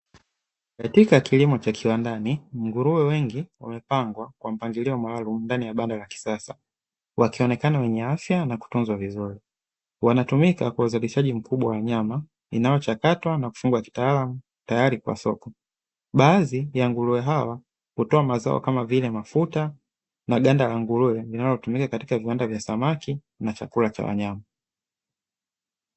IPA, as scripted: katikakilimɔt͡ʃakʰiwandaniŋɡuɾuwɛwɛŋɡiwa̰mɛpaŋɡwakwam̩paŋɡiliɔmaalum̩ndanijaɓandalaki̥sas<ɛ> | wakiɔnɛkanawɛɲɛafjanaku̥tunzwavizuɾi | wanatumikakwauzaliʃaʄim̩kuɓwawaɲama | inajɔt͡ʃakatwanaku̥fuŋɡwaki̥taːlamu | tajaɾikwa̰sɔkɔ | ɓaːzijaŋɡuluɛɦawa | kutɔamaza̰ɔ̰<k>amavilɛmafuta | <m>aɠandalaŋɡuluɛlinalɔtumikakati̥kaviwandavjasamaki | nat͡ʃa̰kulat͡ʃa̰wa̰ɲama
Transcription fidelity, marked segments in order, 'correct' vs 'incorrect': incorrect: a, correct, incorrect: n

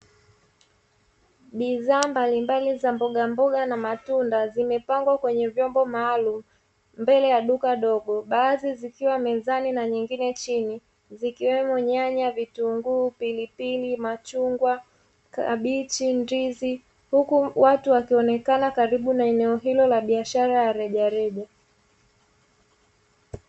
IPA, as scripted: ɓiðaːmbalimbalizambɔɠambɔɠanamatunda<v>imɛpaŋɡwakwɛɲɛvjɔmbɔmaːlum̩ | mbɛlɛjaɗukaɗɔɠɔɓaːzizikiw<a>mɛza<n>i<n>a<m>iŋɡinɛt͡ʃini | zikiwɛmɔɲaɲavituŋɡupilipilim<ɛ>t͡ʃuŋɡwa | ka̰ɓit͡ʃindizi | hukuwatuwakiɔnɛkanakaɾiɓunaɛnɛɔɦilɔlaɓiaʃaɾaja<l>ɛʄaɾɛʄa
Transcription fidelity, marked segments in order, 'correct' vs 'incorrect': incorrect: z, correct, correct, correct, incorrect: ɲ, incorrect: a, incorrect: ɾ

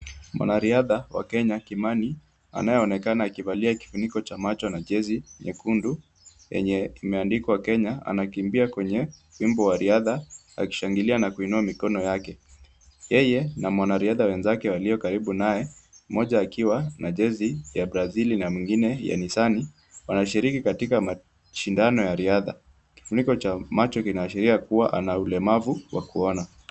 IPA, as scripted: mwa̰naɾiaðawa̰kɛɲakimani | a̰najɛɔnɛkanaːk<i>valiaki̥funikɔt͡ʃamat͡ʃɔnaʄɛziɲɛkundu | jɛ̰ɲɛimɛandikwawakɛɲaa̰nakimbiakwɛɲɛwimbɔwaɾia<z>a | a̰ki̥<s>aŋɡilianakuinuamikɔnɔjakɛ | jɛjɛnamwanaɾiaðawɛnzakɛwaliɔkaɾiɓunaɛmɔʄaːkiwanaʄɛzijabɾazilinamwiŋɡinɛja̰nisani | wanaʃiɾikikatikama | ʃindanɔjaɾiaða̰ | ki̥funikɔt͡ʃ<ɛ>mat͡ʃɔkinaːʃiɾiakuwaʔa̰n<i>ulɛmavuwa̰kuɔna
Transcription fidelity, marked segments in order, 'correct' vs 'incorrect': correct, incorrect: ð, incorrect: ʃ, incorrect: a, incorrect: a

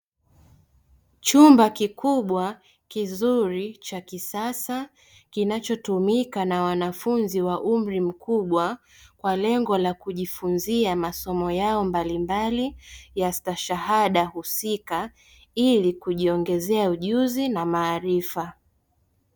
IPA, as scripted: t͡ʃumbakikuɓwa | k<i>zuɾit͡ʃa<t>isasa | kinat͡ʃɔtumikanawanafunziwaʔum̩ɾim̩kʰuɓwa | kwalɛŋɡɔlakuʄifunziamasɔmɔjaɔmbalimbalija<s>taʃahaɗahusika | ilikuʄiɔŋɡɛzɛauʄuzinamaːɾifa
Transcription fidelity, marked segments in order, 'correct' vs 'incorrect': correct, incorrect: k, correct

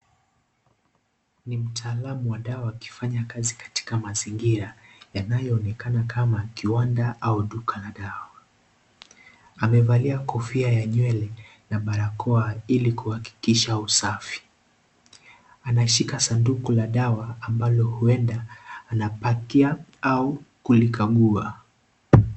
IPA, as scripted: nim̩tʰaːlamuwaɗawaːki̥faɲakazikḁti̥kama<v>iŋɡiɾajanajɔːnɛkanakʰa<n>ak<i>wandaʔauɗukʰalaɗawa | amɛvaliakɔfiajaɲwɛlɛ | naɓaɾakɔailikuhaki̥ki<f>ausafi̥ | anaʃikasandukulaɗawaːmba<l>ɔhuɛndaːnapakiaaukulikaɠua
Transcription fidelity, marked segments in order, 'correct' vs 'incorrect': incorrect: z, incorrect: m, correct, incorrect: ʃ, correct

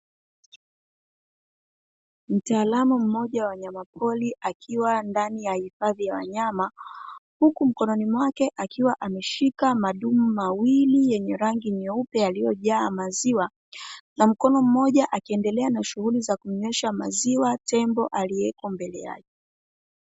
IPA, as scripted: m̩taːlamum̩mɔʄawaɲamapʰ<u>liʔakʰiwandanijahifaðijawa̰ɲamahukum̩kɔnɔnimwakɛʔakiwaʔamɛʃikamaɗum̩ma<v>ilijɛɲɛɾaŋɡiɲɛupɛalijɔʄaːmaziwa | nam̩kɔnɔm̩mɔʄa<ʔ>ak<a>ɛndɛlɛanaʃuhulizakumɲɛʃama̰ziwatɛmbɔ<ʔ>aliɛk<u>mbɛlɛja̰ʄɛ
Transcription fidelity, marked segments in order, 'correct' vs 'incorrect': incorrect: ɔ, incorrect: w, correct, incorrect: i, correct, incorrect: ɔ

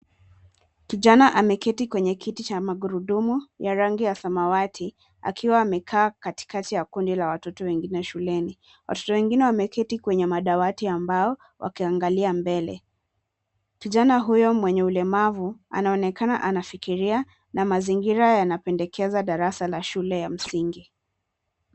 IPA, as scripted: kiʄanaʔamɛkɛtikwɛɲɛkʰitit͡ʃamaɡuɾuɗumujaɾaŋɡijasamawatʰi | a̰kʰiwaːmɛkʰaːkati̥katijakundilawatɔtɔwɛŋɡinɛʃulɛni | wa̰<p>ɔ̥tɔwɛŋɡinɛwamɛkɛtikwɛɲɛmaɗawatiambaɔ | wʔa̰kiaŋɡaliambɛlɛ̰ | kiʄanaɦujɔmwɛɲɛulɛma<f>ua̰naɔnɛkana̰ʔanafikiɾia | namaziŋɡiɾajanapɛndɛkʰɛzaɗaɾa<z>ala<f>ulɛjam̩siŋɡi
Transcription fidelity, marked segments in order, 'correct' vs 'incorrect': incorrect: t, incorrect: v, incorrect: s, incorrect: ʃ

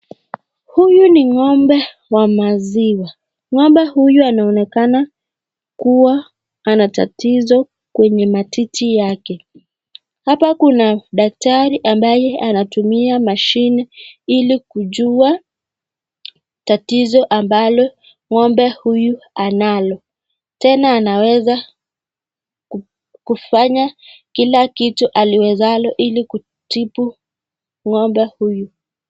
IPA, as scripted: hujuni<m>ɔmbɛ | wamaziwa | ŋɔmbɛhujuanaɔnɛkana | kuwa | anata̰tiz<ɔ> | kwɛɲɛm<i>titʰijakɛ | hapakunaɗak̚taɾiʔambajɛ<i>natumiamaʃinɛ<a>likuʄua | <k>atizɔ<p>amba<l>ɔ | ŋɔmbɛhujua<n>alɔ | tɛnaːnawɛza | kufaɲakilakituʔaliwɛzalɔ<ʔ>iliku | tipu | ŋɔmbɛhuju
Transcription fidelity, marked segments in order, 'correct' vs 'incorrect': incorrect: ŋ, correct, incorrect: a, incorrect: a, incorrect: i, incorrect: t, incorrect: ʔ, correct, correct, correct

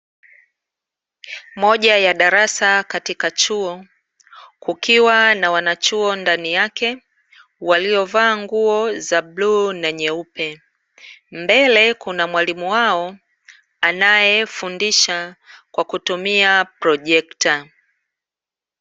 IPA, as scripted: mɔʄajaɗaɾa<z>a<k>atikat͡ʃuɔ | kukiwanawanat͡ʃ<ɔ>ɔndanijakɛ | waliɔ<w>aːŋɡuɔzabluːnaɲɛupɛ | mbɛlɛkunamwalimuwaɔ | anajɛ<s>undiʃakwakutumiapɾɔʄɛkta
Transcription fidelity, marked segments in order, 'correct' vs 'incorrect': incorrect: s, correct, incorrect: u, incorrect: v, incorrect: f

